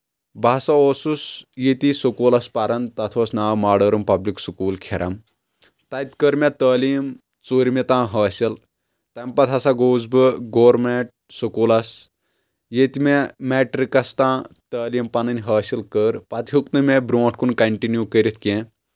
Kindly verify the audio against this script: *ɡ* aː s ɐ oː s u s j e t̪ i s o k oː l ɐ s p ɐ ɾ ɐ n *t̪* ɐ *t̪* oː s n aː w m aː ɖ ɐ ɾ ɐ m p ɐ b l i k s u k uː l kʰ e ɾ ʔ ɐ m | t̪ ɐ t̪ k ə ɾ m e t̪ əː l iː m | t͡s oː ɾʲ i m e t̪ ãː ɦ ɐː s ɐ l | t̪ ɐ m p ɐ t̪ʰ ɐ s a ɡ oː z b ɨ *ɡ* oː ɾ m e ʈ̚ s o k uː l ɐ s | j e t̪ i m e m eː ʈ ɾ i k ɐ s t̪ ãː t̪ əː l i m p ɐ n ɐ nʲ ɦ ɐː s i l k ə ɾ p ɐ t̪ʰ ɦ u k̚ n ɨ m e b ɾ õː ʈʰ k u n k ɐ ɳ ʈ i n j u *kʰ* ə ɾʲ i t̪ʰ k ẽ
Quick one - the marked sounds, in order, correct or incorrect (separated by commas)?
incorrect, correct, incorrect, correct, incorrect